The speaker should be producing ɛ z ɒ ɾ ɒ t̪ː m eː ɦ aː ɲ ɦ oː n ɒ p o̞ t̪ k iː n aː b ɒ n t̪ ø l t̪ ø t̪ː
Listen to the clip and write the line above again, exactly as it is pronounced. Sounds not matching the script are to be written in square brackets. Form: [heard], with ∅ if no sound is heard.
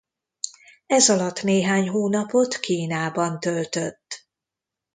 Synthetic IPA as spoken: ɛ z ɒ [l] ɒ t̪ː [n] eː ɦ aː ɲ ɦ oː n ɒ p o̞ t̪ k iː n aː b ɒ n t̪ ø l t̪ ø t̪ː